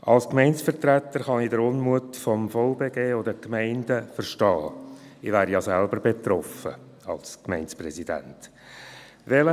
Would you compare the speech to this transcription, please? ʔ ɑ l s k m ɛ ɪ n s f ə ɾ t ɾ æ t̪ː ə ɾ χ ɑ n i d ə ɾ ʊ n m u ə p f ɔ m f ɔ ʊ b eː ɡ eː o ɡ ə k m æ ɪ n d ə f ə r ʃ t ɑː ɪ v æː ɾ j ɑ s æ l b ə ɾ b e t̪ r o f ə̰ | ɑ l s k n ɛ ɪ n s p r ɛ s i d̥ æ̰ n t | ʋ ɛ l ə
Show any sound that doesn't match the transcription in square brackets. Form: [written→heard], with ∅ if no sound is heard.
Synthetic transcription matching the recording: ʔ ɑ l s k m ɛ ɪ n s f ə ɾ t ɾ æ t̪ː ə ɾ χ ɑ n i d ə ɾ ʊ n m u ə [p→t] f ɔ m f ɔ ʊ b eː ɡ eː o [ɡ→d] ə k m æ ɪ n d ə f ə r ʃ t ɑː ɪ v æː ɾ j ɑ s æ l b ə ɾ b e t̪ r [o→ɔ] f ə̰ | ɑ l s k [n→m] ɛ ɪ n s p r ɛ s i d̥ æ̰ n t | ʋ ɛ l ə